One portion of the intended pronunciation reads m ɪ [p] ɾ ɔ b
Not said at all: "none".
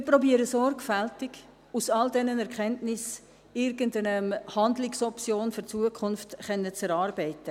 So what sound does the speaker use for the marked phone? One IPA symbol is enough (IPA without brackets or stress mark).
p